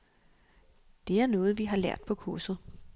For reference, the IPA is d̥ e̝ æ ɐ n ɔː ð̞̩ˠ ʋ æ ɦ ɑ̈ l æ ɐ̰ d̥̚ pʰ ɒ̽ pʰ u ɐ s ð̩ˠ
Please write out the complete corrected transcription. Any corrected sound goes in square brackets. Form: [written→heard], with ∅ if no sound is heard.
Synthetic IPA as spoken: d̥ e̝ æ ɐ n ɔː ð̞̩ˠ ʋ [æ→i] ɦ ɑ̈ l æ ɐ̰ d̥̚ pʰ ɒ̽ [pʰ→kʰ] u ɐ s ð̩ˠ